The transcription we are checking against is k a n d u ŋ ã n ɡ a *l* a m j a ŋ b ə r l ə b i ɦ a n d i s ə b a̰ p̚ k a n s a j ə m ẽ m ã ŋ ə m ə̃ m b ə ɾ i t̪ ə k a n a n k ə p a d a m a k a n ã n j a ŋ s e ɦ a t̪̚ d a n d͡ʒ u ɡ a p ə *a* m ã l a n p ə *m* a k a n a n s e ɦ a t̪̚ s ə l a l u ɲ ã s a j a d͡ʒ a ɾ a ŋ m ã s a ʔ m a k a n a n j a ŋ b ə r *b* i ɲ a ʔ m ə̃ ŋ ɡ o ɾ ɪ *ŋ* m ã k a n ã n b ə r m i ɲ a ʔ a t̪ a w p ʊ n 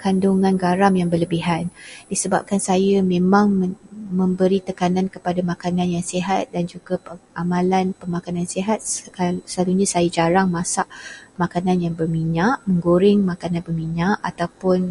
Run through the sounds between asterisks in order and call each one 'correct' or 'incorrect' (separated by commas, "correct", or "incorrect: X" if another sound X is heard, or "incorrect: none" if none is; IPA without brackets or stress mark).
incorrect: ɾ, correct, correct, incorrect: m, correct